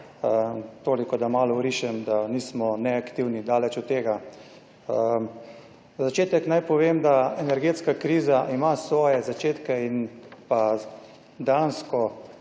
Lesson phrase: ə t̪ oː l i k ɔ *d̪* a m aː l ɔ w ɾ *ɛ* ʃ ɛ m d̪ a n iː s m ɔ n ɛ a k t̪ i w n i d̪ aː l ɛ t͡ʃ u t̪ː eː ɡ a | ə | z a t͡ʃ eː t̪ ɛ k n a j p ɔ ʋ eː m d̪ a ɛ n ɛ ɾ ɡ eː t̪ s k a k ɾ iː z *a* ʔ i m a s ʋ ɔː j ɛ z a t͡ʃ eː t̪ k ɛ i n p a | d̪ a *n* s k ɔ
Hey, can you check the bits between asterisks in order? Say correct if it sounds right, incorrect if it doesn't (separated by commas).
correct, incorrect, correct, correct